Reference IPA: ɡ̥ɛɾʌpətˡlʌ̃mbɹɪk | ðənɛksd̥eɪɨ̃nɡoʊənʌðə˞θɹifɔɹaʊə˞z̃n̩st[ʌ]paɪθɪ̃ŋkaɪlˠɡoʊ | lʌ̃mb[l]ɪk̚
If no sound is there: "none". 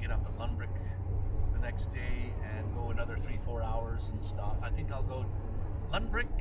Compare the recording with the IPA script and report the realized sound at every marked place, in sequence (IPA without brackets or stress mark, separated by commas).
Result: ɑ, ɹ